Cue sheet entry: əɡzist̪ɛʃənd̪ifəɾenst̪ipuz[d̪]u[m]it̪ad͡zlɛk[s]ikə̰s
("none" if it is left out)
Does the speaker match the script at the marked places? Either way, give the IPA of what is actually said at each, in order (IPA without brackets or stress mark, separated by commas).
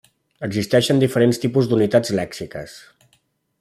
d̪, n, s